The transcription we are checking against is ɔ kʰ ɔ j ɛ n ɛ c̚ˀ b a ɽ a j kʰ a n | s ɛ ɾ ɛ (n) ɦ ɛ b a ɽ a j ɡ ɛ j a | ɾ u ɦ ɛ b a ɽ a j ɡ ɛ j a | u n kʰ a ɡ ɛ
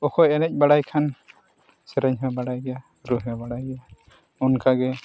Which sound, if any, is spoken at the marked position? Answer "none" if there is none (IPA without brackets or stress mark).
ɲ